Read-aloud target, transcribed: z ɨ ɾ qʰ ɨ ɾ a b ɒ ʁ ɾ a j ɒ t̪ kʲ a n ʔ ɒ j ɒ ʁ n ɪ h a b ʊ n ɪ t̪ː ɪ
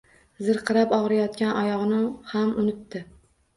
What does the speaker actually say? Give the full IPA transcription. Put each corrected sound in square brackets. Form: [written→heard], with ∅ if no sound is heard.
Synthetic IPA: z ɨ ɾ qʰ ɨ ɾ a [b→p] ɒ ʁ ɾ a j ɒ t̪ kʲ a n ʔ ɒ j ɒ ʁ n ɪ h a [b→m] ʊ n ɪ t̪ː ɪ

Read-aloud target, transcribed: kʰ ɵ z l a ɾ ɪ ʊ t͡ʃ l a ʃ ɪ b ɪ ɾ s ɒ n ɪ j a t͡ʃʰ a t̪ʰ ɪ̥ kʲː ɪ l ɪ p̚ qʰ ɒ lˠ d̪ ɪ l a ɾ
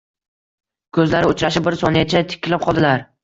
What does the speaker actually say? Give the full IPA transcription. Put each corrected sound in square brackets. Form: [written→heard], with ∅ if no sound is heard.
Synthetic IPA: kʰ ɵ z l a ɾ ɪ ʊ t͡ʃ [l→ɾ] a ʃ ɪ b ɪ ɾ s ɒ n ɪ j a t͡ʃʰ a t̪ʰ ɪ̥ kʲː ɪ l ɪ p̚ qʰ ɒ lˠ d̪ ɪ l a ɾ

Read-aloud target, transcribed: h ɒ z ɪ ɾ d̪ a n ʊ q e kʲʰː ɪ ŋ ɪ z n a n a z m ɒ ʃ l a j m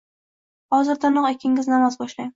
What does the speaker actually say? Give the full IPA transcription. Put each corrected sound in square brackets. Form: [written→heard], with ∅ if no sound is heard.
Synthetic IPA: h ɒ z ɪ ɾ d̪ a n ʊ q e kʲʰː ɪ ŋ ɪ z n a [n→m] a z [m→b] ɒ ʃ l a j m

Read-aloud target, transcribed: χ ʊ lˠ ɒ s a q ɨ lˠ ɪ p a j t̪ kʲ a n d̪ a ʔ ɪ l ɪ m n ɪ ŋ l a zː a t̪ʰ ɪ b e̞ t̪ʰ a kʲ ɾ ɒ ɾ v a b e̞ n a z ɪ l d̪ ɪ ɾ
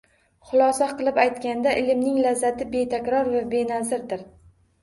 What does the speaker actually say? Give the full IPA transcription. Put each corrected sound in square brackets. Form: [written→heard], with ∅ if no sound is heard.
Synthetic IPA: χ ʊ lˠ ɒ s a q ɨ lˠ ɪ p a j t̪ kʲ a n d̪ a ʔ ɪ l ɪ m n ɪ ŋ l a zː a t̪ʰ ɪ b e̞ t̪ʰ a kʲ ɾ ɒ ɾ v a b e̞ n a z ɪ [l→ɾ] d̪ ɪ ɾ

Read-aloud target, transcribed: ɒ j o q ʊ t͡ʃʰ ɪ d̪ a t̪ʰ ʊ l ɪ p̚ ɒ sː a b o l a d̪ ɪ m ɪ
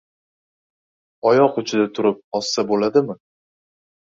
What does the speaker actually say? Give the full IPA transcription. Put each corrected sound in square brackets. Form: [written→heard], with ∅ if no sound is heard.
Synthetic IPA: ɒ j [o→ɒ] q ʊ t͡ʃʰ ɪ d̪ a t̪ʰ ʊ [l→ɾ] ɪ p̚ ɒ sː a b o l a d̪ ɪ m ɪ

